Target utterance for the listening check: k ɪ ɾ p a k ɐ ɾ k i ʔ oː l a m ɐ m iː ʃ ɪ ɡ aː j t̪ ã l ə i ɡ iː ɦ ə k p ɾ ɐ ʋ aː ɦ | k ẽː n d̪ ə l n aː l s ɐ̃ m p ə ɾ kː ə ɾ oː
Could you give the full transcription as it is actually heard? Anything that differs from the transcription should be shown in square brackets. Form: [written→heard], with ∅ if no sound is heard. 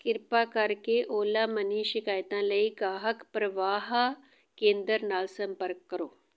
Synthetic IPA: k ɪ ɾ p a k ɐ ɾ k [i→e] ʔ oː l a m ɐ [m→n] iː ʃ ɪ [ɡ→k] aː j t̪ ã l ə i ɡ [iː→aː] ɦ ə k p ɾ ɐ ʋ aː ɦ | k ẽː n d̪ ə [l→ɾ] n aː l s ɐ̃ m p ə ɾ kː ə ɾ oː